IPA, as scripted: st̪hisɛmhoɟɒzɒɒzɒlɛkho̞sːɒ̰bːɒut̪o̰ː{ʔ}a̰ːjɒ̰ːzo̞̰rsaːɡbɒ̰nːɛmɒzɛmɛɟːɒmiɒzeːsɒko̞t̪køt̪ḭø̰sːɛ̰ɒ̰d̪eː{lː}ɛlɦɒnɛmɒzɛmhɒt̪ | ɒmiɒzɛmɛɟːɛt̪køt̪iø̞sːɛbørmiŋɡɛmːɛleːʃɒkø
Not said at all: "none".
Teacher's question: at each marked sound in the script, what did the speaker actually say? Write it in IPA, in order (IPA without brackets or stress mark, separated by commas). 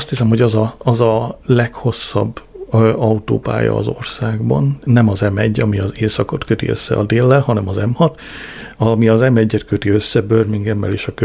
p, lː